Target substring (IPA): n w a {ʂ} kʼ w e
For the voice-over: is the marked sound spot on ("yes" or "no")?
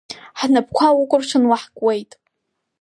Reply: no